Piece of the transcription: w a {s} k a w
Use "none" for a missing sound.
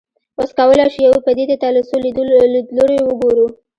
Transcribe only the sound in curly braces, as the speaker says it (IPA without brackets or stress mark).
s